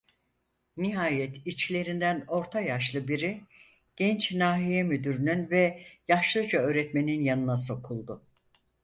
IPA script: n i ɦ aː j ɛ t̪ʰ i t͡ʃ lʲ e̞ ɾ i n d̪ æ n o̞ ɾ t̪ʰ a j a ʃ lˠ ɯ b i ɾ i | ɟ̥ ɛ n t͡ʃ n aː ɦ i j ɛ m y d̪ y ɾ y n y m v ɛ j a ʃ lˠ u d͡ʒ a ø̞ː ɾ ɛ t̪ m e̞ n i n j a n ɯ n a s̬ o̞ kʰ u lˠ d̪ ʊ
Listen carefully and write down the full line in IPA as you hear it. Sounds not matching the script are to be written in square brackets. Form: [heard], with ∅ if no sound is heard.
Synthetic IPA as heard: n i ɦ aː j ɛ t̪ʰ i t͡ʃ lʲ e̞ ɾ i n d̪ æ n o̞ ɾ t̪ʰ a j a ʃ lˠ ɯ b i ɾ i | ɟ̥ ɛ n t͡ʃ n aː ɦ i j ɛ m y d̪ y ɾ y n y [n] v ɛ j a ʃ lˠ [ɯ] d͡ʒ a ø̞ː ɾ ɛ t̪ m e̞ n i n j a n ɯ n a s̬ o̞ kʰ u lˠ d̪ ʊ